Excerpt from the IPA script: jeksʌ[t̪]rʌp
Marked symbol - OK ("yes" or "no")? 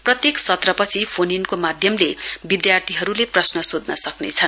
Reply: yes